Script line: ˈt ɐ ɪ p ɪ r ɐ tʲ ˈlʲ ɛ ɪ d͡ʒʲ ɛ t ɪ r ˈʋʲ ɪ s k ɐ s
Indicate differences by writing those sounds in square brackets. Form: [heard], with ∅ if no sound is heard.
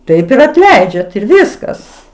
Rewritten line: ˈt ɐ ɪ p ɪ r ɐ tʲ ˈlʲ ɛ ɪ d͡ʒʲ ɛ t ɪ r ˈʋʲ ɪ s k ɐ s

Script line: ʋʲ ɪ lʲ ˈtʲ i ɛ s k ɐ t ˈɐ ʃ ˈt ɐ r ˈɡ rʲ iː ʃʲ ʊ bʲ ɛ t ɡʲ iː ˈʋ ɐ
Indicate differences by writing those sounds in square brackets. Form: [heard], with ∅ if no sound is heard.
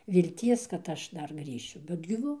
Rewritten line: ʋʲ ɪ lʲ ˈtʲ i ɛ s k ɐ t ˈɐ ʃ [ˈd] ɐ r ˈɡ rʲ iː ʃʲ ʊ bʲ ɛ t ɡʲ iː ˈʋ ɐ

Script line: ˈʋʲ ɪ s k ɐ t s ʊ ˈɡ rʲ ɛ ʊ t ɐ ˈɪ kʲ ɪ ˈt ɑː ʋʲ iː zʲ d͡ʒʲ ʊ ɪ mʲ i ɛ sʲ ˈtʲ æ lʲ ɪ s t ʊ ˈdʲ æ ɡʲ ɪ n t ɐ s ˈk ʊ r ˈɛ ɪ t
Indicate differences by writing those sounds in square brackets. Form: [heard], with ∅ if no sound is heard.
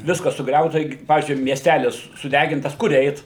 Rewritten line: ˈʋʲ ɪ s k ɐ [s] s ʊ ˈɡ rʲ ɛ ʊ t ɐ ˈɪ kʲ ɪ [ˈp] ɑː ʋʲ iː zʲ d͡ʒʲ ʊ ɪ mʲ i ɛ sʲ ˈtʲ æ lʲ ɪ s [s] ʊ ˈdʲ æ ɡʲ ɪ n t ɐ s ˈk ʊ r ˈɛ ɪ t

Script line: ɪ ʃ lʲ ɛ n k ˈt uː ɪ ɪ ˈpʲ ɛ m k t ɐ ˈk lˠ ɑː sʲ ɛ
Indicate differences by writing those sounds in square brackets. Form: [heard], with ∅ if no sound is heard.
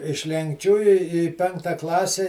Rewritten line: ɪ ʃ lʲ ɛ [ŋ] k [ˈt͡ʃʲ] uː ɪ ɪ ˈpʲ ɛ [ŋ] k t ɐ ˈk lˠ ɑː sʲ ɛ

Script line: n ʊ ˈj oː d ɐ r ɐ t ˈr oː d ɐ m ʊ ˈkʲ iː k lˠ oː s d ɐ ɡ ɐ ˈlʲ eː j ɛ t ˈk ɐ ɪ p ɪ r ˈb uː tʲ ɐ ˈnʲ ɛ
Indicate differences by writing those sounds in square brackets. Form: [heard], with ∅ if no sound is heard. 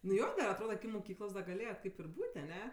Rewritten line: n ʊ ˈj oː d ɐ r ɐ t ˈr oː d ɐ m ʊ ˈkʲ iː k lˠ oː s d ɐ ɡ ɐ ˈlʲ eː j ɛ t ˈk ɐ ɪ p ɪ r ˈb uː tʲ ɐ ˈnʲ ɛ

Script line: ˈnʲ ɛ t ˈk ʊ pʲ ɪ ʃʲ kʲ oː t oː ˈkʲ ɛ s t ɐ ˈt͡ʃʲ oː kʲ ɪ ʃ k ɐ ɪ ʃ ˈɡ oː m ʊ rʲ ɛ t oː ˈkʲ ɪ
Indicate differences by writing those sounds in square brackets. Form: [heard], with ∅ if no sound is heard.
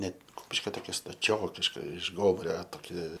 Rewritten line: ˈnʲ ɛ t ˈk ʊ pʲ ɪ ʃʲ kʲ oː t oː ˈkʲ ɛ s t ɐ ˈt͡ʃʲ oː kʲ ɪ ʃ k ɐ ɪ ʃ ˈɡ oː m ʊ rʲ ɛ t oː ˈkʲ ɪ

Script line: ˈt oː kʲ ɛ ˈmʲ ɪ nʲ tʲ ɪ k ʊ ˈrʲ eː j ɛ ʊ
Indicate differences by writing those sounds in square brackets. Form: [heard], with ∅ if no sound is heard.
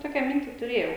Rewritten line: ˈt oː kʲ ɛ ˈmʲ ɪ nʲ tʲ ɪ [t] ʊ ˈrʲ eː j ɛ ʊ

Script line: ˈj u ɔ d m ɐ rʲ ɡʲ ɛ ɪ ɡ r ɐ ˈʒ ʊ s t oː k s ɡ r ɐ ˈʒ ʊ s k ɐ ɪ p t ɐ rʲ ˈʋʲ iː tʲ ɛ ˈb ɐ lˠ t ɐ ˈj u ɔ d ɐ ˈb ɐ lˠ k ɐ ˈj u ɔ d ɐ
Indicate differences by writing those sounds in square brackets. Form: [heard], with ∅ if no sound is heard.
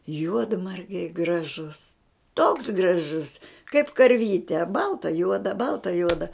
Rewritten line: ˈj u ɔ d m ɐ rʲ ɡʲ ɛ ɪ ɡ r ɐ ˈʒ ʊ s t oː k s ɡ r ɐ ˈʒ ʊ s k ɐ ɪ p [k] ɐ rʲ ˈʋʲ iː tʲ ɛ ˈb ɐ lˠ t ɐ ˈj u ɔ d ɐ ˈb ɐ lˠ [t] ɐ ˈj u ɔ d ɐ

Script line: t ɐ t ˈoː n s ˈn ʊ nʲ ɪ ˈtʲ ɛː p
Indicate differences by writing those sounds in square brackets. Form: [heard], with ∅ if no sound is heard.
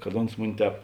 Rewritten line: [k] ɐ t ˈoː n s [ˈm] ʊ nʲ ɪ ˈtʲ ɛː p

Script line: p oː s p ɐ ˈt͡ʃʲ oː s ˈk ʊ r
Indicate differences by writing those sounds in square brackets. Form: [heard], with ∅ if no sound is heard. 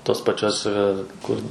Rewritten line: [t] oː s p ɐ ˈt͡ʃʲ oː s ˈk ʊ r

